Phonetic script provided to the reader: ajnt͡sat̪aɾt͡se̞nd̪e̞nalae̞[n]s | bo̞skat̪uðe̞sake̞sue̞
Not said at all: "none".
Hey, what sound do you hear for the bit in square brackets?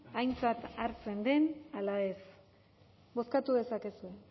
none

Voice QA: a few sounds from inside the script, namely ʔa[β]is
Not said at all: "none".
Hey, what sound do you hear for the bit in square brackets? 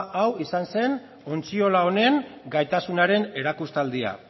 w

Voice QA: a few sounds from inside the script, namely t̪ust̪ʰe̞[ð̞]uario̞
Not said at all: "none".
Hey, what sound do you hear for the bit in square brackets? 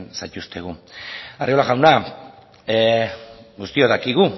ɣ̞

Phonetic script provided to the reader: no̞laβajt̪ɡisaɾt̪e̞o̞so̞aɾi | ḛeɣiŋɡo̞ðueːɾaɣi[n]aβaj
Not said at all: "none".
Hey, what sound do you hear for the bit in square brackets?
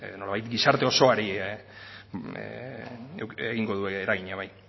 ɲ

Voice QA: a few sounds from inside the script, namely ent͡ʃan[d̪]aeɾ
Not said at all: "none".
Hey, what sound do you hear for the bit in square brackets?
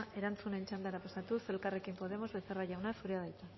d̪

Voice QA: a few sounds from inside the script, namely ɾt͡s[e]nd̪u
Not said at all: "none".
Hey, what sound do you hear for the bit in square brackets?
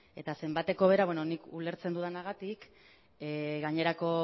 e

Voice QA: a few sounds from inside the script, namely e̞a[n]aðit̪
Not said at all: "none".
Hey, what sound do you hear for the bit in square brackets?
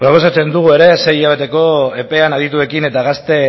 n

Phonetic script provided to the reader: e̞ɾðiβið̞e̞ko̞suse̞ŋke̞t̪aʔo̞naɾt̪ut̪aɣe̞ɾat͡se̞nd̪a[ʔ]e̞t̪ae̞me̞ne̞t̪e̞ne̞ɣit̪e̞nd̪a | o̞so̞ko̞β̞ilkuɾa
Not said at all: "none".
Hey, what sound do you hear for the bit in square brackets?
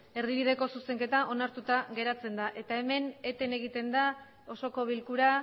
ʔ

